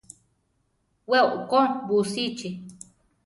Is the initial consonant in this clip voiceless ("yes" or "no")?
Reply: no